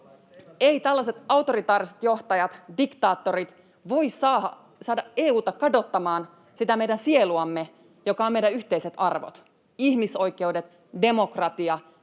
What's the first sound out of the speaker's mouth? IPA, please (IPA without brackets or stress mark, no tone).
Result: e̞